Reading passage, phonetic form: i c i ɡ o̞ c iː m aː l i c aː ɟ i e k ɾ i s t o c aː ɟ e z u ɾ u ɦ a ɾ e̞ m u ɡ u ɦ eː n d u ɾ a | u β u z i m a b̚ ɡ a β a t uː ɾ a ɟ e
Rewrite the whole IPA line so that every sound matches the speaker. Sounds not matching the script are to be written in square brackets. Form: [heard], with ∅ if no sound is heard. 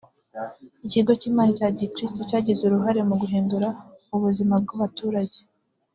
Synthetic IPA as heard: i c i ɡ o̞ c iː m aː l i c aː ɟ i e k ɾ i s t o c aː ɟ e z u ɾ u ɦ a ɾ e̞ m u ɡ u ɦ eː n d u ɾ a | u β u z i m a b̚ ɡ a β a t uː ɾ a ɟ e